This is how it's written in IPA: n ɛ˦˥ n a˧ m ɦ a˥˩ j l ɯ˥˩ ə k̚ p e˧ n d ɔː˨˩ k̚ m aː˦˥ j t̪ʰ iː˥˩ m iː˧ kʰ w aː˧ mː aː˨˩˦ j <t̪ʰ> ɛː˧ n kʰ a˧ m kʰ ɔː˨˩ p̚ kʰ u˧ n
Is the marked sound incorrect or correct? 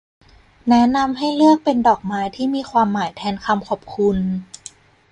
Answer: correct